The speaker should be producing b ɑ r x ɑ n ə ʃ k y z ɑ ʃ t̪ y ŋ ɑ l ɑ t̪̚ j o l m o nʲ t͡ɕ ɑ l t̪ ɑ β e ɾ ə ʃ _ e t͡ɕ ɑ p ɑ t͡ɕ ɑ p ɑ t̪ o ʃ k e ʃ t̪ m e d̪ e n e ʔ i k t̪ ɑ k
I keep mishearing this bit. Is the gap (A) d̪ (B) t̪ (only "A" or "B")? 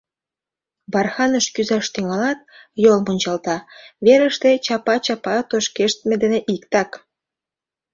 B